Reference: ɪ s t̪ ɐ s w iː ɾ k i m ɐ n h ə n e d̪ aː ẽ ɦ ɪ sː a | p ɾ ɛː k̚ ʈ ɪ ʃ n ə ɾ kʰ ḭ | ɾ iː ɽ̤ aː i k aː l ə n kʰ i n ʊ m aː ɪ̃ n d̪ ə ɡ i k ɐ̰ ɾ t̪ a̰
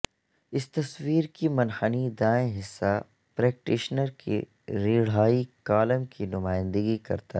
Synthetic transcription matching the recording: ɪ s t̪ ɐ s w iː ɾ k i m ɐ n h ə n i d̪ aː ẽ ɦ ɪ sː a | p ɾ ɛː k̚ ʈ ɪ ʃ n ə ɾ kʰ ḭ | ɾ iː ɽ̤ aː i k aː l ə m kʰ i n ʊ m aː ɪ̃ n d̪ ə ɡ i k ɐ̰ ɾ t̪ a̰